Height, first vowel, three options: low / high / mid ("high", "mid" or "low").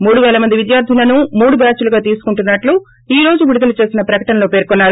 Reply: high